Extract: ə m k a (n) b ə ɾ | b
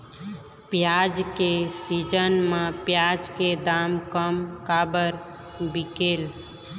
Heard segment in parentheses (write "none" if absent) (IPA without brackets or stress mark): none